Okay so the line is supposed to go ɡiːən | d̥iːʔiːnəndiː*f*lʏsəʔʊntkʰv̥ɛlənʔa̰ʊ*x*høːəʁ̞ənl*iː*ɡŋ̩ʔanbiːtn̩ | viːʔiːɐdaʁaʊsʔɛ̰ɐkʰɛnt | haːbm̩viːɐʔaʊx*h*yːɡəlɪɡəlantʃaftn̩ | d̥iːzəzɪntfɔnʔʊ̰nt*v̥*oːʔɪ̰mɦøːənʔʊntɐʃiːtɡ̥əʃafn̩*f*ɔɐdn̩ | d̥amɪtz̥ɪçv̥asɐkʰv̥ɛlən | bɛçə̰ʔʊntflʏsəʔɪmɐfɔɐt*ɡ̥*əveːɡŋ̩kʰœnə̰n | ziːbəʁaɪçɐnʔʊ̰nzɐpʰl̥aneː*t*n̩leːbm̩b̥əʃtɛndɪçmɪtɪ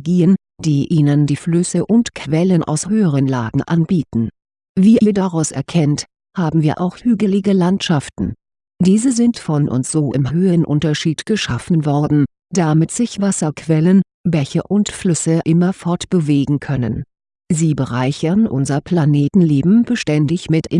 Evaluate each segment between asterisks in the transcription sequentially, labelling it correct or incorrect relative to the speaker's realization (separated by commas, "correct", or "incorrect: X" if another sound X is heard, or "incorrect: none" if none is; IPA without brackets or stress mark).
correct, incorrect: s, incorrect: aː, correct, incorrect: z̥, incorrect: v, incorrect: b̥, correct